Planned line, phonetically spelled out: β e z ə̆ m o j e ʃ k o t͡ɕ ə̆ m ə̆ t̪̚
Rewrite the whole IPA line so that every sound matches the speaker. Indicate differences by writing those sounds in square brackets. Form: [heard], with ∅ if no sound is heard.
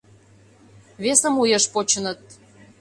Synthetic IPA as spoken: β e [s] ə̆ m [u] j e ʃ [p] o t͡ɕ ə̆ [n] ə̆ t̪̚